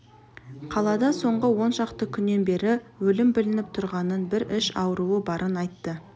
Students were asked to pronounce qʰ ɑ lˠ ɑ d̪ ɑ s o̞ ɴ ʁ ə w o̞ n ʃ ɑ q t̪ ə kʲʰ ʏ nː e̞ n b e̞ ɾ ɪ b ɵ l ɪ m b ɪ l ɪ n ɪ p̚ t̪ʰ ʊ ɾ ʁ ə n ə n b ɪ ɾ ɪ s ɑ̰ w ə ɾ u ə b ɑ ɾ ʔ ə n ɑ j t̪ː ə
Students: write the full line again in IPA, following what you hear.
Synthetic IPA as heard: qʰ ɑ lˠ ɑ d̪ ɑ s o̞ ɴ ʁ ə w o̞ n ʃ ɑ q t̪ ə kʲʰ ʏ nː e̞ n b e̞ ɾ ɪ w ɵ l ɪ m b ɪ l ɪ n ɪ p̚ t̪ʰ ʊ ɾ ʁ ɑ n ə n b ɪ ɾ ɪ ʃ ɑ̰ w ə ɾ u ə b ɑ ɾ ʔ ə n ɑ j t̪ː ə